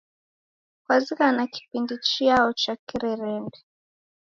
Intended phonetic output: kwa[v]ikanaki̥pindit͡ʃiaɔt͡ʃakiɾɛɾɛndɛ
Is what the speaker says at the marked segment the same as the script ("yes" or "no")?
no